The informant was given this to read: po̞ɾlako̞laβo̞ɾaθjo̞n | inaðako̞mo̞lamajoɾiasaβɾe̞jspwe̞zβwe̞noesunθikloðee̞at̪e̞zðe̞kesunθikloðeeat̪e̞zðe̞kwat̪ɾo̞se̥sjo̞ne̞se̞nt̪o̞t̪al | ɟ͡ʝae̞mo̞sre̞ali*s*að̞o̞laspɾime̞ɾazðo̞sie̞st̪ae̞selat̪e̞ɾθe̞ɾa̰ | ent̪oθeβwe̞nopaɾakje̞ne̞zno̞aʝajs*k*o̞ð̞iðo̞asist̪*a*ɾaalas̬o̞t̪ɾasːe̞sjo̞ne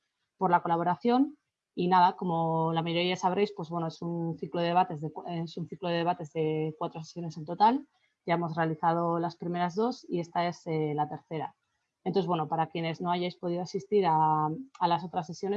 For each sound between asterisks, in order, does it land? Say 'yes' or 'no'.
no, no, no

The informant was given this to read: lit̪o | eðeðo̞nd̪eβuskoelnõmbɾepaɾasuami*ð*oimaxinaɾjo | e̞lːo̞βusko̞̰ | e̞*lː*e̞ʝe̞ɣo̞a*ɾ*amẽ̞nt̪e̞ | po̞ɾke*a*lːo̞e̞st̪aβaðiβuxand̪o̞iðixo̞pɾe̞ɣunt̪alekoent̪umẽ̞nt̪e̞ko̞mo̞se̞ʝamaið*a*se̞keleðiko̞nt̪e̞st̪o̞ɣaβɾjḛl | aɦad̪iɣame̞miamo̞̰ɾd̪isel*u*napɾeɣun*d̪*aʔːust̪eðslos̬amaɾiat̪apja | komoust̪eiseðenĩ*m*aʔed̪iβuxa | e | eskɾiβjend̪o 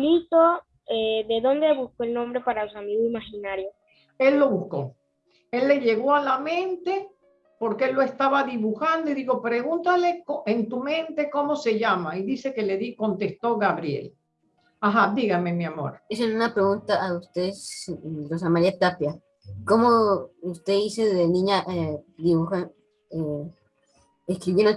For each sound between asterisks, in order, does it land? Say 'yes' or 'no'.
no, yes, no, no, no, yes, no, no

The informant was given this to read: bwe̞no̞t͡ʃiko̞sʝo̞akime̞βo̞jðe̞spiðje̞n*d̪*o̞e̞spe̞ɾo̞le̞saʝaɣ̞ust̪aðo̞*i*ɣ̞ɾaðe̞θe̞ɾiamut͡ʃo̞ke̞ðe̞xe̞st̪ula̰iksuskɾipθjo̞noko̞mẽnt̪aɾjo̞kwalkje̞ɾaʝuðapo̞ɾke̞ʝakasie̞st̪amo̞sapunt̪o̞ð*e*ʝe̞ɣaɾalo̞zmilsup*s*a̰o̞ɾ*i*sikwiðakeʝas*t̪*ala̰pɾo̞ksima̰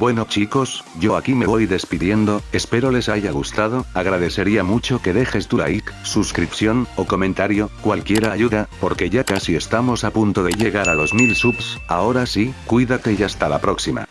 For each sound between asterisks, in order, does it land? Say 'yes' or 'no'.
yes, no, yes, yes, no, yes

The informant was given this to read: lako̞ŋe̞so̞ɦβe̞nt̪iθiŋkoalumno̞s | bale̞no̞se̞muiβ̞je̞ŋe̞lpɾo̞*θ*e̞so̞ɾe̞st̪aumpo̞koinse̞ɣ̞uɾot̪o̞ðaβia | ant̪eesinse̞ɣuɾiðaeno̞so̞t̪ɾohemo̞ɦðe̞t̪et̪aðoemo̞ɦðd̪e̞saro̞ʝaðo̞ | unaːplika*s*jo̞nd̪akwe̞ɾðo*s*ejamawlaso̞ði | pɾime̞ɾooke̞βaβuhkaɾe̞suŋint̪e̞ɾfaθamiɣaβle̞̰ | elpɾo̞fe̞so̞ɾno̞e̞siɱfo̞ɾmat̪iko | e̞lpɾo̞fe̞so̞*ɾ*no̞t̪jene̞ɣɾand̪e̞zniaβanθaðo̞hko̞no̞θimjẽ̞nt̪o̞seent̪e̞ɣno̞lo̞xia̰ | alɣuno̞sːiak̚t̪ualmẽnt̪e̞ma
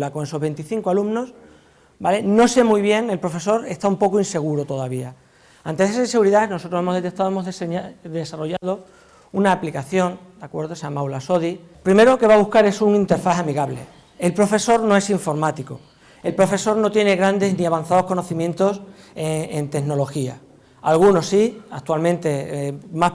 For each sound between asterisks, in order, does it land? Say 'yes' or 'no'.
no, no, yes, yes

